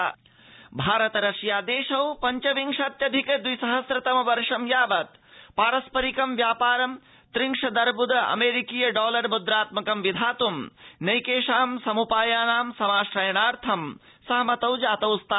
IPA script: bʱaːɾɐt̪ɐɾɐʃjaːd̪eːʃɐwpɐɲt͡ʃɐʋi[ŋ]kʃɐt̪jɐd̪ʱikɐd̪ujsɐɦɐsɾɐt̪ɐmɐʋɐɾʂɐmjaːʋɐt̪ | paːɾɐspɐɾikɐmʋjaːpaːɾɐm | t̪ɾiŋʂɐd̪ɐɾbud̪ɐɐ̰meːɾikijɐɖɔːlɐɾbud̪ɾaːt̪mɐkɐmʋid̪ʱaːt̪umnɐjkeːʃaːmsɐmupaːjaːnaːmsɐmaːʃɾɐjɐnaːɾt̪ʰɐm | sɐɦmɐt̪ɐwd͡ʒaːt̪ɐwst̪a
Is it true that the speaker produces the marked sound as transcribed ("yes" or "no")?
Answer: yes